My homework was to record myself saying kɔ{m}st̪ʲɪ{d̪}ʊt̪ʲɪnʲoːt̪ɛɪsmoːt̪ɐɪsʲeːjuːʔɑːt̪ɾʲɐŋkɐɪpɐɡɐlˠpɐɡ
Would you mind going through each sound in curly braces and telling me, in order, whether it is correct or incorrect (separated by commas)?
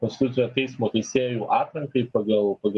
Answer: incorrect, incorrect